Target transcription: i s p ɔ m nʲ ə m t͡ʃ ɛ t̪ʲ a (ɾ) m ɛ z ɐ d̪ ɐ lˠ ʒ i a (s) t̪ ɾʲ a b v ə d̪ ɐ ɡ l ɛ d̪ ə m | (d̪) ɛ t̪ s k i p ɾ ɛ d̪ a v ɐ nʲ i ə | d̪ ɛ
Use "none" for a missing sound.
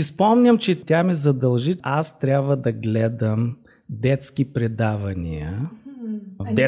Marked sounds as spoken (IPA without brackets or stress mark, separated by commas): none, s, d̪